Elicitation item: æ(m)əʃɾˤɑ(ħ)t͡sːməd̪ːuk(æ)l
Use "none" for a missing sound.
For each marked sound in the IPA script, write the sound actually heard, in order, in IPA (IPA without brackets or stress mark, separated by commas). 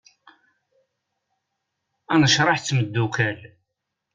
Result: n, ħ, æ